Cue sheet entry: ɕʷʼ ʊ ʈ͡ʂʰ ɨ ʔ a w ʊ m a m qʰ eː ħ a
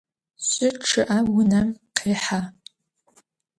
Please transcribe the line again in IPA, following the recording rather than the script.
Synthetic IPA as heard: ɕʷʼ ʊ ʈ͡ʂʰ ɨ ʔ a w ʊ n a m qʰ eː ħ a